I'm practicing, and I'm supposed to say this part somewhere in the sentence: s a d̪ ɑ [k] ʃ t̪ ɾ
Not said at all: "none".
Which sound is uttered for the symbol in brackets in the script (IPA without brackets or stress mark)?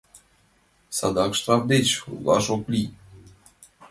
k